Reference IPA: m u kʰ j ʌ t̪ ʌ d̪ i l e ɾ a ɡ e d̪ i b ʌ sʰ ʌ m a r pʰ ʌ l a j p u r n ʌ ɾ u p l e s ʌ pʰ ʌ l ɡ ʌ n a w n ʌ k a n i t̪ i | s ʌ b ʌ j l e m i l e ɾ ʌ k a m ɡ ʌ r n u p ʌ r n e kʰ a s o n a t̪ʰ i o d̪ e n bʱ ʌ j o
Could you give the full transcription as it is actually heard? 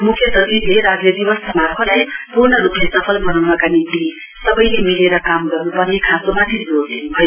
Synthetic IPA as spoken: m u kʰ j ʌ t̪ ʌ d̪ i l e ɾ a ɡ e d̪ i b ʌ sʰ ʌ m a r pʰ ʌ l a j p u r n ʌ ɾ u p l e s ʌ pʰ ʌ l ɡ ʌ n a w n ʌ k a n i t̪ i | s ʌ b ʌ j l e m i l e ɾ ʌ k a m ɡ ʌ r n u p ʌ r n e kʰ a s o m a t̪ʰ i o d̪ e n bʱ ʌ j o